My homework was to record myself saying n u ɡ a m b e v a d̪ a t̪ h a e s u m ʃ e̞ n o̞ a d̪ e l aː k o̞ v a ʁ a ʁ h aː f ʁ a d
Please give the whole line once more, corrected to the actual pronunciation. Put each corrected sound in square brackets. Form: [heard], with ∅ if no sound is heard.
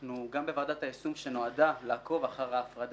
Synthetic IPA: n u ɡ a m b e v a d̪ a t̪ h a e s u m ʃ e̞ n o̞ a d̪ [a] l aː k o̞ v a [χ] a ʁ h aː f ʁ a d